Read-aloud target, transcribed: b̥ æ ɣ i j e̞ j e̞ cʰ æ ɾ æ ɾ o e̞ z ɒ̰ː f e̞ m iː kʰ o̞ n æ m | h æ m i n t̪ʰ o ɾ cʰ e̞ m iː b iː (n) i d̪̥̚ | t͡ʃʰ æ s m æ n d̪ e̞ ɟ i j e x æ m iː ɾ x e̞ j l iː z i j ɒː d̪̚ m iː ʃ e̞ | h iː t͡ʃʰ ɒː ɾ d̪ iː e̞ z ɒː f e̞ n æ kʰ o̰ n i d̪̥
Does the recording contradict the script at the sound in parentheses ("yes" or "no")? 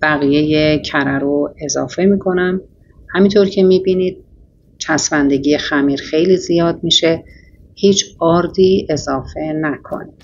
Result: no